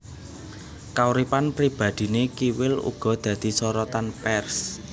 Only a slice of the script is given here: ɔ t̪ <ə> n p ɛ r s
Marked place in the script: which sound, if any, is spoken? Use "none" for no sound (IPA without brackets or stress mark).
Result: a